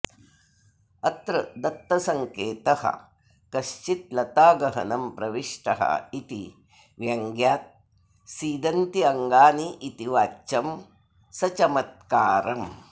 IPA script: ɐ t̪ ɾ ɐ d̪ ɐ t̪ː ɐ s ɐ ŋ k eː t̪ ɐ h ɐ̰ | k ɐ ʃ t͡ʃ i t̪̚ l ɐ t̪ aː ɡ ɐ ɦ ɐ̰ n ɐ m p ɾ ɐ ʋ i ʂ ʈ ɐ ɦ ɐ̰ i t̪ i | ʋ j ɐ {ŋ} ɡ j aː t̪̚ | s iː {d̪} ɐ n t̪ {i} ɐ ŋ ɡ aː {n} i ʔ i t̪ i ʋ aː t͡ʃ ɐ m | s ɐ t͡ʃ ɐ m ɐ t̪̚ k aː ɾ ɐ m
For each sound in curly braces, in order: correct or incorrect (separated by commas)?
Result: correct, correct, correct, correct